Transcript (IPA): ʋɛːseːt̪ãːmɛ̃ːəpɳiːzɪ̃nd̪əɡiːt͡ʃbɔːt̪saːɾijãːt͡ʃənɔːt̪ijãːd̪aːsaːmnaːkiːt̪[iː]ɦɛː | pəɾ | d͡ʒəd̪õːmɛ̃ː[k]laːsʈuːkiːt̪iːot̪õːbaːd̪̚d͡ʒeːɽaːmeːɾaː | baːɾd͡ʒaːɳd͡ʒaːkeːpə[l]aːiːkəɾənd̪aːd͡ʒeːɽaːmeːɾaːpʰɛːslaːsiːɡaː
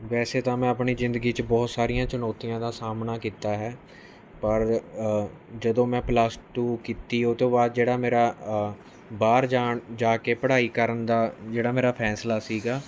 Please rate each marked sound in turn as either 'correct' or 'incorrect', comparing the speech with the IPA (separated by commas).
incorrect, incorrect, incorrect